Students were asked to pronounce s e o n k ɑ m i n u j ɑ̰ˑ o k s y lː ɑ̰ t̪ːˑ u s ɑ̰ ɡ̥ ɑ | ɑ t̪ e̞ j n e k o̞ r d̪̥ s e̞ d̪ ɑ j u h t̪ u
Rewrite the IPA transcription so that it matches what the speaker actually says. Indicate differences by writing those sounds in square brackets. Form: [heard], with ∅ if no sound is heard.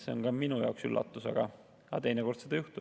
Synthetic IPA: s e o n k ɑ m i n u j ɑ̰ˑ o k s y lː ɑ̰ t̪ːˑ u s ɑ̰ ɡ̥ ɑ | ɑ t̪ e̞ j n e k o̞ r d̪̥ s e̞ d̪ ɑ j u h t̪ u